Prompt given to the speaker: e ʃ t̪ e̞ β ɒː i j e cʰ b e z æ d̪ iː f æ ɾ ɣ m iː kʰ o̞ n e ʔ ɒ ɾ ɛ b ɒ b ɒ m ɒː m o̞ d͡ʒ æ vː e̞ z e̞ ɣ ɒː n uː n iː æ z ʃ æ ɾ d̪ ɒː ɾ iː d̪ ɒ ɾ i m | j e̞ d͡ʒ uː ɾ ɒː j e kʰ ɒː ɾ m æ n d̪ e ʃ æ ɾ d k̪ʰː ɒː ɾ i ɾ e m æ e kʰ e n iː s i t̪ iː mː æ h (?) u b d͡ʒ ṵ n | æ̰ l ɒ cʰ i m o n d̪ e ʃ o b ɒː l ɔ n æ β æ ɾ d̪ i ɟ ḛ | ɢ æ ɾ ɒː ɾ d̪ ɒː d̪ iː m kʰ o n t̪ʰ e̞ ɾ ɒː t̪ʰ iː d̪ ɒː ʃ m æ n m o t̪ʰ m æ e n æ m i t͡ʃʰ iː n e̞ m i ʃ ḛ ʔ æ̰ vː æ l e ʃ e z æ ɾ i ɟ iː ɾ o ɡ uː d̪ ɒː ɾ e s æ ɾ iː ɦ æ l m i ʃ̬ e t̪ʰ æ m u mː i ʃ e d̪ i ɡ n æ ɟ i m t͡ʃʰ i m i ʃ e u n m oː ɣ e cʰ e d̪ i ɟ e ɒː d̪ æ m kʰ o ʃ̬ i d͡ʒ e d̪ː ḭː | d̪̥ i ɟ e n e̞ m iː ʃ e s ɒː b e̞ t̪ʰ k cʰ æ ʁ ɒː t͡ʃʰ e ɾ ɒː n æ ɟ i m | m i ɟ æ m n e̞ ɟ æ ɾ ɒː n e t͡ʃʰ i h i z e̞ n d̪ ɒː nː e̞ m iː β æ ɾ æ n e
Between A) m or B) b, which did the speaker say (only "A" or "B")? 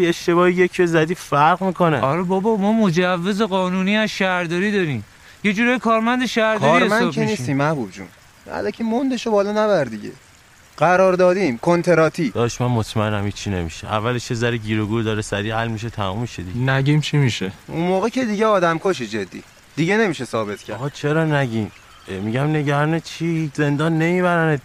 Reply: B